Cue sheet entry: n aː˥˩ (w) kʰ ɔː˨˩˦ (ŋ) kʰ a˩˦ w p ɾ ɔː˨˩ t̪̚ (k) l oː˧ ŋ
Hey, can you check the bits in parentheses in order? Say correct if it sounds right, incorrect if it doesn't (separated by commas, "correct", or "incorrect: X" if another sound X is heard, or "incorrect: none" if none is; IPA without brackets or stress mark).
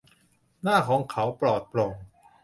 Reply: incorrect: none, correct, incorrect: p